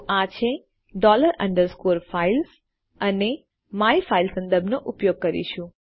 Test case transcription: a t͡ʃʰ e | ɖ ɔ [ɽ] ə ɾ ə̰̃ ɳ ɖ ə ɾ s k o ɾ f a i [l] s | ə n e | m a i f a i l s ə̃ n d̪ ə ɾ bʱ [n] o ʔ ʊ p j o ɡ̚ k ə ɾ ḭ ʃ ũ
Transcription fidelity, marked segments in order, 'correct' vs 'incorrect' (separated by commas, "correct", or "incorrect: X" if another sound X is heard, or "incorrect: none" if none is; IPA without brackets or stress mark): incorrect: l, correct, correct